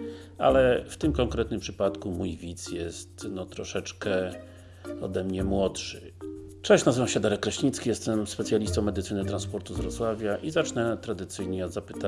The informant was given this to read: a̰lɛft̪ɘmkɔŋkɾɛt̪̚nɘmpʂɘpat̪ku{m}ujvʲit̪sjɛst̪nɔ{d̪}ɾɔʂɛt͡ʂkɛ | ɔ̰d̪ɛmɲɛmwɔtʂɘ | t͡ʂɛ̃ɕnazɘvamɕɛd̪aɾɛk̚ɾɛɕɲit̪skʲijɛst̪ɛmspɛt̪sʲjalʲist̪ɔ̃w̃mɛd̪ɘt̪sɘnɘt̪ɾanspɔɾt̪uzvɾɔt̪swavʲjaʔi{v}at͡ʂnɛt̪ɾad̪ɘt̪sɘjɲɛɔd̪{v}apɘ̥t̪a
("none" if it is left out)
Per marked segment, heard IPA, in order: m, t̪, z, z

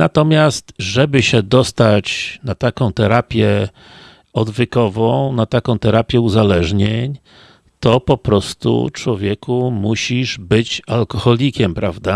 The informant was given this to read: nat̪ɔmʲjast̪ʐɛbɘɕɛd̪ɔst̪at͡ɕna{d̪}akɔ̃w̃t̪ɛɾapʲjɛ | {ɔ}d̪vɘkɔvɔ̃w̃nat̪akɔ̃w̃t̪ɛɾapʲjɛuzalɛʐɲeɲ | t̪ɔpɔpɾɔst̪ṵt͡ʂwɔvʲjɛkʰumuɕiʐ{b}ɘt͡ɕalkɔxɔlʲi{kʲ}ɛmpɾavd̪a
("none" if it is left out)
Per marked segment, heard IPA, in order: t̪, ɔ, b, kʲ

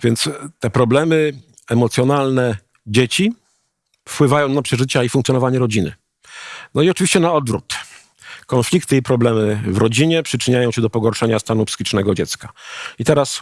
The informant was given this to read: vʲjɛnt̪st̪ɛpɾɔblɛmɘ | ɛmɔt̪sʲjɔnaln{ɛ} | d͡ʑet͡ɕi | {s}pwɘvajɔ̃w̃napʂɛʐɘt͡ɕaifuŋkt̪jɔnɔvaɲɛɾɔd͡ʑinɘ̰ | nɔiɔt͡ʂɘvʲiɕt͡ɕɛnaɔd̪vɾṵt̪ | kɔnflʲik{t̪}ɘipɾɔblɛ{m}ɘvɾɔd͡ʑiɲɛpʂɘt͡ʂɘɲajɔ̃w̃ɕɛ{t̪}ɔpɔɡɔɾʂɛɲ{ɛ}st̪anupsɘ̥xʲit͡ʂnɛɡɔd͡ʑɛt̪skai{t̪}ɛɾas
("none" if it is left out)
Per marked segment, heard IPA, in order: ɛ, f, t̪, m, d̪, a, t̪

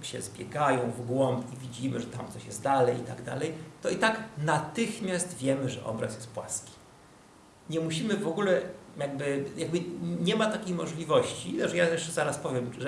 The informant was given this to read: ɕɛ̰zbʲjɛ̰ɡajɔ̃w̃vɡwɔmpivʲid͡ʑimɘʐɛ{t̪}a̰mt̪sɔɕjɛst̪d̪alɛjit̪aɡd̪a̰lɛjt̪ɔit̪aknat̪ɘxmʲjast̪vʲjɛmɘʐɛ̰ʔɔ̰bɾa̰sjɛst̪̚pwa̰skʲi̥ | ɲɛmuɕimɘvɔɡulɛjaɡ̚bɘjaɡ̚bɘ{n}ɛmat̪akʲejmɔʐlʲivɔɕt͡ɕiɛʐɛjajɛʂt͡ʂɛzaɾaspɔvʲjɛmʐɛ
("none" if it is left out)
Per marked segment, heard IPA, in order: t̪, ɲ

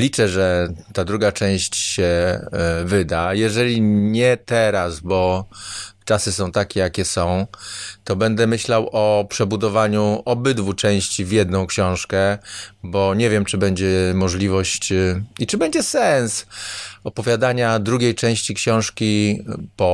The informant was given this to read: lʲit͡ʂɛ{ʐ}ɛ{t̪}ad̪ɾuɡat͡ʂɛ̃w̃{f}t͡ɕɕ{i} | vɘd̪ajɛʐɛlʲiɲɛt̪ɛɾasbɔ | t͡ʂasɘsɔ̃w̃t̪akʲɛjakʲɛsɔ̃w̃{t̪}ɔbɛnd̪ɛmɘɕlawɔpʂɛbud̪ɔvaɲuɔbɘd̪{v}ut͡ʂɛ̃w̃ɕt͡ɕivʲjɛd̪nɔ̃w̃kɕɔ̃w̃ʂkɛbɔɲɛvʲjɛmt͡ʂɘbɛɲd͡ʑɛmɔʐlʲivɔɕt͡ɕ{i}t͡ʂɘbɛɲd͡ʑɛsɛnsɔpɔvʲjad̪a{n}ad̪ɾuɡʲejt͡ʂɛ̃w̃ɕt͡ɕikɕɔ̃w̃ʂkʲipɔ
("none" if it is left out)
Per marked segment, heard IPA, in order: ʐ, t̪, ɕ, ɛ, t̪, v, i, ɲ

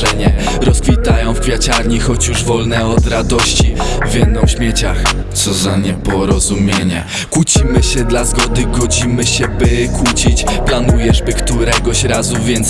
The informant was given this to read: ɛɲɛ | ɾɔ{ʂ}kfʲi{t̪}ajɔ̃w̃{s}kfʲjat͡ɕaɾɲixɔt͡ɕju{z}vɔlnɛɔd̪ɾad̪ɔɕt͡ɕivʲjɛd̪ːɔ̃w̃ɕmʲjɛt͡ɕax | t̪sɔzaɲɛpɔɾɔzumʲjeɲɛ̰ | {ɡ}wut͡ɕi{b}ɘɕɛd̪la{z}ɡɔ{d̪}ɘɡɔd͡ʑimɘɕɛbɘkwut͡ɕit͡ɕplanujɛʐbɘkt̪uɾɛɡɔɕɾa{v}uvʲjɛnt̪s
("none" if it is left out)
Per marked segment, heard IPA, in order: s, t̪, f, ʐ, k, m, z, d̪, z

